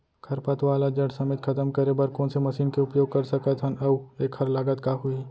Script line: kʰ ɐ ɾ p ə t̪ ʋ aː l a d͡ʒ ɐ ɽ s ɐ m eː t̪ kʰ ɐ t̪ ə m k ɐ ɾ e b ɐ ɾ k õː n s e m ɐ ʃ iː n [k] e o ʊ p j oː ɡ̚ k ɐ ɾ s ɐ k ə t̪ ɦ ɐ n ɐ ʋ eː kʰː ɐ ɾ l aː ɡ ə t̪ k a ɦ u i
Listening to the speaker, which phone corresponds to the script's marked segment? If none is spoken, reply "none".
k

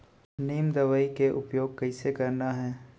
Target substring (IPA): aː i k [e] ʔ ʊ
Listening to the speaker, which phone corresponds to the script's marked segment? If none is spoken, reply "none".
e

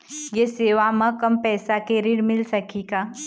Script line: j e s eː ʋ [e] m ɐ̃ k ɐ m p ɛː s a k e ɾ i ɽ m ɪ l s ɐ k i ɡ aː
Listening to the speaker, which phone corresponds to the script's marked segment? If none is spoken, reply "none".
a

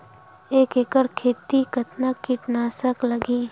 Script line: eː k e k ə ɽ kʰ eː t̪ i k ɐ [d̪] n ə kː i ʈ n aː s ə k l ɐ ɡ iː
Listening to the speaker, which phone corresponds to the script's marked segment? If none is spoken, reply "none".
t̪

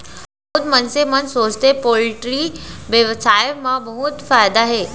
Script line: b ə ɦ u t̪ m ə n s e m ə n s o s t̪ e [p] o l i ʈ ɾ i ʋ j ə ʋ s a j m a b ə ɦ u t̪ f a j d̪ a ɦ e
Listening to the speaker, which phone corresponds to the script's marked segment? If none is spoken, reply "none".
p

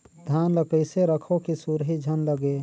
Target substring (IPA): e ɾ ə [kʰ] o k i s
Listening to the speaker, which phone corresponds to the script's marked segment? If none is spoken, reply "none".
kʰ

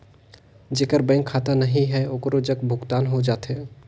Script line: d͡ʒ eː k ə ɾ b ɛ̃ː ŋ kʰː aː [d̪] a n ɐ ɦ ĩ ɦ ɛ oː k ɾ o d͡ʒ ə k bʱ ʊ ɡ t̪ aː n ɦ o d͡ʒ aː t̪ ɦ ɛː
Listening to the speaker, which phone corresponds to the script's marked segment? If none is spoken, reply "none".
t̪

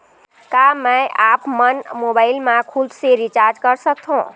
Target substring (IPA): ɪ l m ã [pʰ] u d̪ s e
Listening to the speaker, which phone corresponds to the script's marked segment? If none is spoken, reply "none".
kʰ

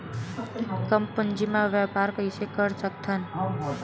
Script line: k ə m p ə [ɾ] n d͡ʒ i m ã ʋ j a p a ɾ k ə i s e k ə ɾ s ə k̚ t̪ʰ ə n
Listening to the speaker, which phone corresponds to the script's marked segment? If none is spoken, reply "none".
none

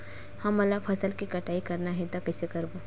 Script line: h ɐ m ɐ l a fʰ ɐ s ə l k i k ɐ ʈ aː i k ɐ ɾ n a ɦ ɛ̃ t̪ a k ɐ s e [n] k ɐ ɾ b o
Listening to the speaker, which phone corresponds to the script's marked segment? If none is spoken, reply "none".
none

